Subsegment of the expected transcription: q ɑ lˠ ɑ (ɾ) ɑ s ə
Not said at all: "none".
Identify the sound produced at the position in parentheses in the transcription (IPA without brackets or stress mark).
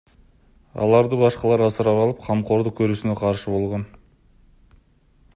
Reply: ɾ